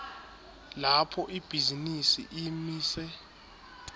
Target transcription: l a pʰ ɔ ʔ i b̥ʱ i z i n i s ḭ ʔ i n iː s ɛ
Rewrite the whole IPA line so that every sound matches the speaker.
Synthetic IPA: l a pʰ ɔ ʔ i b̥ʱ i z i n i s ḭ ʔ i m iː s ɛ